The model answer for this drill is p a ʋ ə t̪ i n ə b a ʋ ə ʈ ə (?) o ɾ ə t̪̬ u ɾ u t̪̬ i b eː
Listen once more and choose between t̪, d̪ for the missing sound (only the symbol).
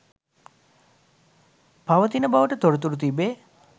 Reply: t̪